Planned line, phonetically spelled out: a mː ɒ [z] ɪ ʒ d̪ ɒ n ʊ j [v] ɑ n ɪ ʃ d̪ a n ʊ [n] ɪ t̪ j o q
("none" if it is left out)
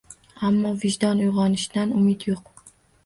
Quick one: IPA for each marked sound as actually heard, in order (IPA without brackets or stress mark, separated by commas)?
v, ʁ, m